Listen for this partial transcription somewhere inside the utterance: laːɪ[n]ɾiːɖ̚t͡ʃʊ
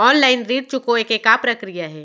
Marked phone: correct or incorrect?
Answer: correct